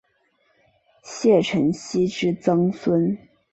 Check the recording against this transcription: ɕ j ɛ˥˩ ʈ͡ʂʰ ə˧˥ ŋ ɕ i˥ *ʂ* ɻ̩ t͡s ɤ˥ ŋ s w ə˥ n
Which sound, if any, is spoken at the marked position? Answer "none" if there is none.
ʈ͡ʂ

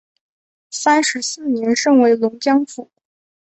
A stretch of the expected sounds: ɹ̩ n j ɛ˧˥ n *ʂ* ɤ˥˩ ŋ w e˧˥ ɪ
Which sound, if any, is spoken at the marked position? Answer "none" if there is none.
ʂ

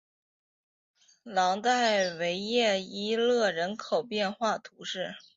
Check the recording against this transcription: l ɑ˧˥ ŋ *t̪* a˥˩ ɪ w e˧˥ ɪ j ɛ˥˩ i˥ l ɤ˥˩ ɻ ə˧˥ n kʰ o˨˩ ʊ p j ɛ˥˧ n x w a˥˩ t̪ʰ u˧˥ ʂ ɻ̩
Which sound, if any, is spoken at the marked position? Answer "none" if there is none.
t̪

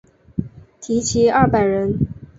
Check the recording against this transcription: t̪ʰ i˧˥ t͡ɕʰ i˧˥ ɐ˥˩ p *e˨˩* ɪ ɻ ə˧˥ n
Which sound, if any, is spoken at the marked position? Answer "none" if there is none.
a˨˩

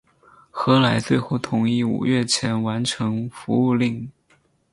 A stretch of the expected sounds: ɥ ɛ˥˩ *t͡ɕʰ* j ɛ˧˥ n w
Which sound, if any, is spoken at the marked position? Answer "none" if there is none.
t͡ɕʰ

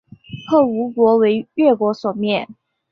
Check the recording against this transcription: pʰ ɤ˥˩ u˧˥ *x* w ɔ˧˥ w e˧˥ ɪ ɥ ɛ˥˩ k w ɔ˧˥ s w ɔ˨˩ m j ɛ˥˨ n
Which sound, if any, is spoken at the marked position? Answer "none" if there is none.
k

